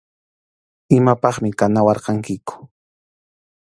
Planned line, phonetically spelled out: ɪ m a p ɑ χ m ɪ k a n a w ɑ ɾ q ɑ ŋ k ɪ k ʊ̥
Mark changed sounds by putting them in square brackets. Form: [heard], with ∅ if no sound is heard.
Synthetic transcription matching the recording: ɪ m a p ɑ χ m ɪ k a n a w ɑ ɾ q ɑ ŋ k ɪ k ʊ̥